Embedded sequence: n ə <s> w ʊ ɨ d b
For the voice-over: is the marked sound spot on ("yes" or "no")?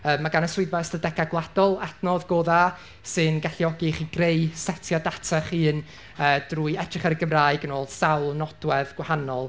yes